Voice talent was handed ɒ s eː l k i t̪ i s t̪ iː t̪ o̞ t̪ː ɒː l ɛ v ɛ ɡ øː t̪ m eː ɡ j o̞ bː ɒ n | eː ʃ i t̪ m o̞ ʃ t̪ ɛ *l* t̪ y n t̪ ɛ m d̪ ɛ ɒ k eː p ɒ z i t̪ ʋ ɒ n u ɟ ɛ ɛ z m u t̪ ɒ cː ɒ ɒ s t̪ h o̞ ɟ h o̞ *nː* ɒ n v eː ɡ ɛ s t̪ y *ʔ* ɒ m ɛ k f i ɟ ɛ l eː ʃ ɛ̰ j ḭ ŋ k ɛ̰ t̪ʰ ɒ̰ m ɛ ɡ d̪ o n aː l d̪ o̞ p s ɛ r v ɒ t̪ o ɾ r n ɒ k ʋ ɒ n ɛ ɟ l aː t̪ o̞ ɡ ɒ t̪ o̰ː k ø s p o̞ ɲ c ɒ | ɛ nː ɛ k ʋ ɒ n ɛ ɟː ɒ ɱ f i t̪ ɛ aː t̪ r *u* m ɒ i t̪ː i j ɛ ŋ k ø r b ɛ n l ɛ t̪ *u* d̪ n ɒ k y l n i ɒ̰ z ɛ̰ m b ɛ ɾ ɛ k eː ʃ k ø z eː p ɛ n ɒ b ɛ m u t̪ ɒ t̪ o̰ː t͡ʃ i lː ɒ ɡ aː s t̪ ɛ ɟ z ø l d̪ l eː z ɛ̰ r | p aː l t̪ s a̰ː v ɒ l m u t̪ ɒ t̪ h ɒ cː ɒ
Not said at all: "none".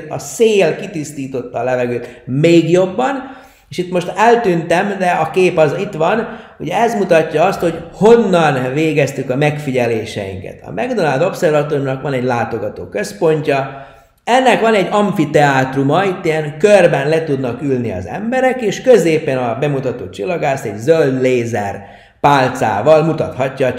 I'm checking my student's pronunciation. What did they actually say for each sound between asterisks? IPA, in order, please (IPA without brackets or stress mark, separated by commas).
l, nː, k, u, u